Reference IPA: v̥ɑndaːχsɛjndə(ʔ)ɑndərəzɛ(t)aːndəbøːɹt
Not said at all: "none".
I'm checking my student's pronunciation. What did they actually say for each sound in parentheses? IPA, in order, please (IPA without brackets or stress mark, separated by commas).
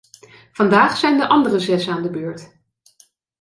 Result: ʔ, s